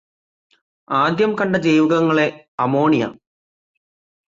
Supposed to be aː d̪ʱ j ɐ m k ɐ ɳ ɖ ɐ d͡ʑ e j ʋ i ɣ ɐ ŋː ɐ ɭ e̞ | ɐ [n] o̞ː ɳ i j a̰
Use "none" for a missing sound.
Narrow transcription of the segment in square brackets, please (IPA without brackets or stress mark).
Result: m